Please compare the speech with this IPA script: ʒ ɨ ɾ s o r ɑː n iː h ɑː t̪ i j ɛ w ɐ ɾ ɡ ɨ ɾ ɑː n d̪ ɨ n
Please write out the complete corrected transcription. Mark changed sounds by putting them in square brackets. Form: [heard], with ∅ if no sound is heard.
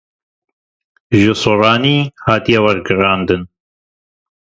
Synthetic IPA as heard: ʒ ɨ [∅] s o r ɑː n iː h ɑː t̪ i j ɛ w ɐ ɾ ɡ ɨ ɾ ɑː n d̪ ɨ n

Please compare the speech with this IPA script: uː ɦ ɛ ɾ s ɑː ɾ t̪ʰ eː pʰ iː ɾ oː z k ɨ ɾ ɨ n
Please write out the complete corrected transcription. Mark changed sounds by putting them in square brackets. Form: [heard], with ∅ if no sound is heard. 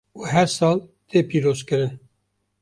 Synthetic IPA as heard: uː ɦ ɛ ɾ s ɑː [l] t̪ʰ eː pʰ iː ɾ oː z k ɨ ɾ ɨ n

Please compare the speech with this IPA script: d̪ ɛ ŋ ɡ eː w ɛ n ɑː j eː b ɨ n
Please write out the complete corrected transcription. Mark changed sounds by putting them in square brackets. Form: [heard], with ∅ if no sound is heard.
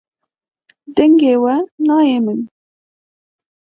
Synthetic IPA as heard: d̪ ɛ ŋ ɡ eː w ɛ n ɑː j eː [m] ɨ n

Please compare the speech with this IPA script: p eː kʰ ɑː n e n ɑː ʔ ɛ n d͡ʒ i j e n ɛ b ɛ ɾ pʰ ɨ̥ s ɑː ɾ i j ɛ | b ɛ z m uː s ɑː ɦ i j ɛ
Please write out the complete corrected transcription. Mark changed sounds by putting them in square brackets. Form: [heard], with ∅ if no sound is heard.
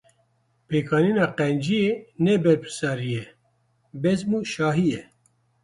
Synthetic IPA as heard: p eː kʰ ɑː n [i] n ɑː [q] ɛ n d͡ʒ i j e n ɛ b ɛ ɾ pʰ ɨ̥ s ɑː ɾ i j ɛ | b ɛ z m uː [ʃ] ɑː ɦ i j ɛ

